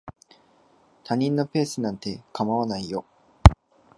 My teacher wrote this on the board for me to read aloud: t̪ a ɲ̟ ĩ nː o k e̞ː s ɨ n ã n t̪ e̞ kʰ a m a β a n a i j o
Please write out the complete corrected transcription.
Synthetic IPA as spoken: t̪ a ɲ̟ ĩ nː o p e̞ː s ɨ n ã n t̪ e̞ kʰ a m a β a n a i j o